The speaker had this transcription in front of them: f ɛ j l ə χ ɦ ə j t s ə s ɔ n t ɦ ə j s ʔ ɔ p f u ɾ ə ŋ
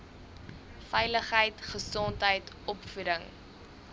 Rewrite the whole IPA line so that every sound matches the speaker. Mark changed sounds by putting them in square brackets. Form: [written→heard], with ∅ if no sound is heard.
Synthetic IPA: f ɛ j l ə χ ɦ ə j t [s→χ] ə s ɔ n t ɦ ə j [s→t] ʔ ɔ p f u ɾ ə ŋ